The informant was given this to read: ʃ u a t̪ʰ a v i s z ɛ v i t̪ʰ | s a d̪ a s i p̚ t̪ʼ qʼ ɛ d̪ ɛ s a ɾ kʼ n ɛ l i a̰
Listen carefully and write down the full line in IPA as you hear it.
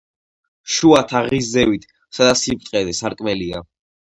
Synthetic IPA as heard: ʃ u a t̪ʰ a ʁ i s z ɛ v i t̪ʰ | s a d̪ a s i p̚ t̪ʼ qʼ ɛ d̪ ɛ s a ɾ kʼ m ɛ l i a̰

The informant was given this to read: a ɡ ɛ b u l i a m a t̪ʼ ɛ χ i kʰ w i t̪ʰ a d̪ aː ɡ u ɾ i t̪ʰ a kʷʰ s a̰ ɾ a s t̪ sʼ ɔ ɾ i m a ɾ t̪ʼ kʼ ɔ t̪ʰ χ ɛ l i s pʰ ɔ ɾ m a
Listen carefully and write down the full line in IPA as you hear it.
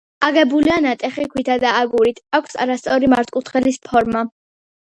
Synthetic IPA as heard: a ɡ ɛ b u l i a n a t̪ʼ ɛ χ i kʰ w i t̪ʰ a d̪ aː ɡ u ɾ i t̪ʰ a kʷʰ s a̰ ɾ a s t̪ sʼ ɔ ɾ i m a ɾ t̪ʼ kʼ u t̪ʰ χ ɛ l i s pʰ ɔ ɾ m a

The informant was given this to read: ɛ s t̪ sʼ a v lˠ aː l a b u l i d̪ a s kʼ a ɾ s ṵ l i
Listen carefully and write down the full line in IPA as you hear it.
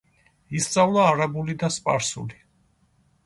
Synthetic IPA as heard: i s t̪ sʼ a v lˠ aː ɾ a b u l i d̪ a s pʼ a ɾ s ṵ l i

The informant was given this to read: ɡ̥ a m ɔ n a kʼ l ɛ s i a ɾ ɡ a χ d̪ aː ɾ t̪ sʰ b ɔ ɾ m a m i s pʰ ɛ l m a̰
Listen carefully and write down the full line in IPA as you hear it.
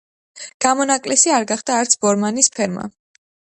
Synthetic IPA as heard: ɡ̥ a m ɔ n a kʼ l ɛ s i a ɾ ɡ a χ d̪ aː ɾ t̪ sʰ b ɔ ɾ m a n i s pʰ ɛ ɾ m a̰

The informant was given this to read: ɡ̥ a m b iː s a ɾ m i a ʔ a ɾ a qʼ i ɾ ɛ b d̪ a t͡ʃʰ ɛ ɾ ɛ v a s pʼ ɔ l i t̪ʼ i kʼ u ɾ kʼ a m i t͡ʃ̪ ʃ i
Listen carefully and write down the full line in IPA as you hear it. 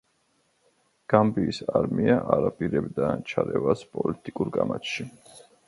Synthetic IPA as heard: ɡ̥ a m b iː s a ɾ m i a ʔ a ɾ a pʼ i ɾ ɛ b d̪ a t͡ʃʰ a ɾ ɛ v a s pʼ ɔ l i t̪ʼ i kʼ u ɾ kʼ a m a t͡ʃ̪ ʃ i

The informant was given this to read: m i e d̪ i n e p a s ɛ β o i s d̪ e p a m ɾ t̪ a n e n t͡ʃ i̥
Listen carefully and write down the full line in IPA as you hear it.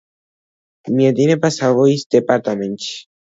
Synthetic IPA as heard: m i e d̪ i n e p a s a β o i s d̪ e p a ɾ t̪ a m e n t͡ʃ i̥

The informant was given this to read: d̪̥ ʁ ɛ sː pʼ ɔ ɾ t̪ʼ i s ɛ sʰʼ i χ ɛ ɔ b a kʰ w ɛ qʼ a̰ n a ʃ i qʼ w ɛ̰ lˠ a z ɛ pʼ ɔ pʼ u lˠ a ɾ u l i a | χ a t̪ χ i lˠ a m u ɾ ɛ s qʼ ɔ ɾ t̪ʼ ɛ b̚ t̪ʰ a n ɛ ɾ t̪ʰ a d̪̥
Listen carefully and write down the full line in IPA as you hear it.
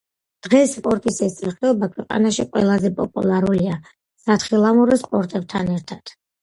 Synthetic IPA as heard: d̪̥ ʁ ɛ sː pʼ ɔ ɾ t̪ʼ i s ɛ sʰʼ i χ ɛ ɔ b a kʰ w ɛ qʼ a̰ n a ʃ i qʼ w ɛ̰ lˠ a z ɛ pʼ ɔ pʼ u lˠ a ɾ u l i a | s a t̪ χ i lˠ a m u ɾ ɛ s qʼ ɔ ɾ t̪ʼ ɛ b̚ t̪ʰ a n ɛ ɾ t̪ʰ a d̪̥

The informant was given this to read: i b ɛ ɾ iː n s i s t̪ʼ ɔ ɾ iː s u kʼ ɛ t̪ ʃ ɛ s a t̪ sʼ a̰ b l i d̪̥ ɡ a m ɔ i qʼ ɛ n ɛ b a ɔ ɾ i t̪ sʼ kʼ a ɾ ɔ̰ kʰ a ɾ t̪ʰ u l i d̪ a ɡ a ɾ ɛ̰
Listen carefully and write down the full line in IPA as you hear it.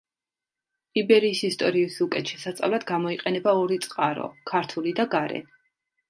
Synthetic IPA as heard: i b ɛ ɾ iː s i s t̪ʼ ɔ ɾ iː s u kʼ ɛ t̪ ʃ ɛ s a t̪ sʼ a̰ v l a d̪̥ ɡ a m ɔ i qʼ ɛ n ɛ b a ɔ ɾ i t̪ sʼ qʼ a ɾ ɔ̰ kʰ a ɾ t̪ʰ u l i d̪ a ɡ a ɾ ɛ̰

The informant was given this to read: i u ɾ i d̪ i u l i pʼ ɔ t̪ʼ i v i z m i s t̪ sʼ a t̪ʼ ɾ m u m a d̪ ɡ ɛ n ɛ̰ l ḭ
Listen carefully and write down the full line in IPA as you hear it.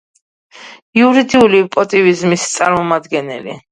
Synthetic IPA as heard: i u ɾ i d̪ i u l i pʼ ɔ t̪ʼ i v i z m i s t̪ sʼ a ɾ m ɔ m a d̪ ɡ ɛ n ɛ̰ l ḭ

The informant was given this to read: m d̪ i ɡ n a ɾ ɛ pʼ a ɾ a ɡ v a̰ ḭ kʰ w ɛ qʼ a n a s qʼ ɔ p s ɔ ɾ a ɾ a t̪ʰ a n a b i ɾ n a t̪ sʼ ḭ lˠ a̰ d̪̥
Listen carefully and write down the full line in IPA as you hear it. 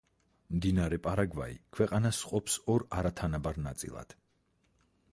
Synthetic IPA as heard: m d̪ i n a ɾ ɛ pʼ a ɾ a ɡ v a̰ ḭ kʰ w ɛ qʼ a n a s qʼ ɔ p s ɔ ɾ a ɾ a t̪ʰ a n a b a ɾ n a t̪ sʼ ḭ lˠ a̰ d̪̥

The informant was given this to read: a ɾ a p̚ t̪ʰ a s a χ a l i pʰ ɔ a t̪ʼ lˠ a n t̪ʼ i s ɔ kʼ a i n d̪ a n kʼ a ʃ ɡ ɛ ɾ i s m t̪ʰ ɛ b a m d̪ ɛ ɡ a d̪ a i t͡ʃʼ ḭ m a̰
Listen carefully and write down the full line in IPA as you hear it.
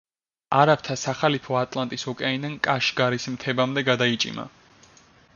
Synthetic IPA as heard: a ɾ a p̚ t̪ʰ a s a χ a l i pʰ ɔ a t̪ʼ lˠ a n t̪ʼ i s ɔ kʼ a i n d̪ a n kʼ a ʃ ɡ a ɾ i s m t̪ʰ ɛ b a m d̪ ɛ ɡ a d̪ a i t͡ʃʼ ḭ m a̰

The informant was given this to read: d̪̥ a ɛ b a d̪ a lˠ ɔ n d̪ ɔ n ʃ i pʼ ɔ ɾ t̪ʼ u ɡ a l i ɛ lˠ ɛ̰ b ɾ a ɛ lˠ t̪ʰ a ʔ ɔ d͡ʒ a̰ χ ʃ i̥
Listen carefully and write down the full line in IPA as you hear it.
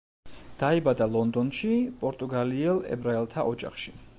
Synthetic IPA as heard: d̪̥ a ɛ b a d̪ a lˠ ɔ n d̪ ɔ n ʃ i pʼ ɔ ɾ t̪ʼ u ɡ a l i ɛ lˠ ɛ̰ b ɾ a ɛ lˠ t̪ʰ a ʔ ɔ d͡ʒ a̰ χ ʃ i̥

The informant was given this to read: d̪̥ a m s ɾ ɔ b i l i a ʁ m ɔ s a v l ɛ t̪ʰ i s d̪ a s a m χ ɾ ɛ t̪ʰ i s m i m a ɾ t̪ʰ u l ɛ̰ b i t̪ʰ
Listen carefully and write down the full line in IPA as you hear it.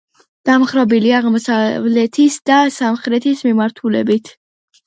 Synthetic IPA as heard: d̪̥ a m χ ɾ ɔ b i l i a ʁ m ɔ s a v l ɛ t̪ʰ i s d̪ a s a m χ ɾ ɛ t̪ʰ i s m i m a ɾ t̪ʰ u l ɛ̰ b i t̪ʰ

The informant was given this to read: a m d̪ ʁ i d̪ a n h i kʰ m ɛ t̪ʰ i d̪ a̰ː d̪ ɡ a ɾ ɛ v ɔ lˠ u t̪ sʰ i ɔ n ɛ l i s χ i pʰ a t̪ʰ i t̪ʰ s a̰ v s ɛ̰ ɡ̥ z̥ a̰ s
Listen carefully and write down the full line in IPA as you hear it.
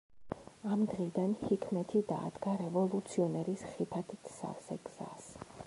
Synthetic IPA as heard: a m d̪ ʁ i d̪ a n h i kʰ m ɛ t̪ʰ i d̪ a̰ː d̪ ɡ a ɾ ɛ v ɔ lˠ u t̪ sʰ i ɔ n ɛ ɾ i s χ i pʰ a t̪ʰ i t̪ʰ s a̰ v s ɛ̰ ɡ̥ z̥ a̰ s

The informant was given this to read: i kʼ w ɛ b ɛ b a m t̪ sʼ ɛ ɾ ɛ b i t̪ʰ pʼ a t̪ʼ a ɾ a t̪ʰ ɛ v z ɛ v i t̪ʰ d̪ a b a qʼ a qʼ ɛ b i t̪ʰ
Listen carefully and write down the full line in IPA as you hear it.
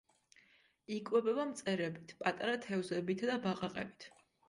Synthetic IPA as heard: i kʼ w ɛ b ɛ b a m t̪ sʼ ɛ ɾ ɛ b i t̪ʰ pʼ a t̪ʼ a ɾ a t̪ʰ ɛ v z ɛ b i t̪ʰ d̪ a b a qʼ a qʼ ɛ b i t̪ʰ

